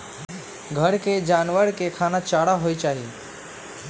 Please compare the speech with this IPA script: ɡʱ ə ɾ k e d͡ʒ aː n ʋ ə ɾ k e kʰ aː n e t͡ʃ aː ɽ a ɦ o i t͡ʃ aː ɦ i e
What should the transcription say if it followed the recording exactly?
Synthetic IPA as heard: ɡʱ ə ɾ k e d͡ʒ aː n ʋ ə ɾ k e kʰ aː n a t͡ʃ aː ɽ a ɦ o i t͡ʃ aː ɦ i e